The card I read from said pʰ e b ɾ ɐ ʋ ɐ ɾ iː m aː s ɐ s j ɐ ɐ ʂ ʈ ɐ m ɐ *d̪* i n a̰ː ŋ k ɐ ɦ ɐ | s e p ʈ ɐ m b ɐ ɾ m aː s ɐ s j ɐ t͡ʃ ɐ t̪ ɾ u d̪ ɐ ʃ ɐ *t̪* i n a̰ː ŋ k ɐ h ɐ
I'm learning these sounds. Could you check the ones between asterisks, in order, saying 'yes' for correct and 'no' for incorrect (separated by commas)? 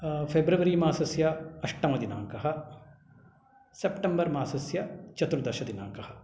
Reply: yes, no